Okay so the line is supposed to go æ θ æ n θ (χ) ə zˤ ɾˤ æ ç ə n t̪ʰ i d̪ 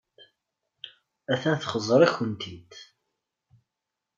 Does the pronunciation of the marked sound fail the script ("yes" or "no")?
no